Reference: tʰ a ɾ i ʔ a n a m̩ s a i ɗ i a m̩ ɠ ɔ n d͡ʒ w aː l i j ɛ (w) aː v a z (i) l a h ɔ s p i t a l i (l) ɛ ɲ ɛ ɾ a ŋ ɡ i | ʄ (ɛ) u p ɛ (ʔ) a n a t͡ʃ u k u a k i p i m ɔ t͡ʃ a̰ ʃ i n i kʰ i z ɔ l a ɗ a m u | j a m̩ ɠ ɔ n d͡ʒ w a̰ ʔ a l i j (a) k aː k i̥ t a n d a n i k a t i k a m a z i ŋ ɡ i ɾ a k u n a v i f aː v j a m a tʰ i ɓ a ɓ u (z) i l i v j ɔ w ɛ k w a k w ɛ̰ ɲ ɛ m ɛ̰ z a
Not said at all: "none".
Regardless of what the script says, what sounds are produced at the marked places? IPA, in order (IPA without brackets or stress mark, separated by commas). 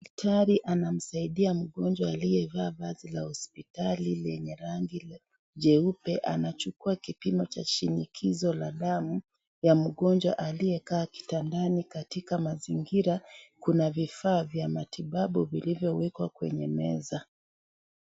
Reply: v, i, l, ɛ, ʔ, ɛ, v